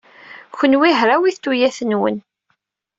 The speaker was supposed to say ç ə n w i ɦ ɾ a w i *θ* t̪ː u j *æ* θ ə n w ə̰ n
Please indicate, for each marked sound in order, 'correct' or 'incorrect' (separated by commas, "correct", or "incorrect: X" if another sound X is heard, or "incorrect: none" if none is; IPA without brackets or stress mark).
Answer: correct, correct